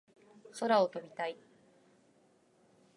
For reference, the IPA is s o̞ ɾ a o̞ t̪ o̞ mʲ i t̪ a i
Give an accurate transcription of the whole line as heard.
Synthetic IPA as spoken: s o̞ ɾ a o̞ t̪ o̞ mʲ i t̪ a i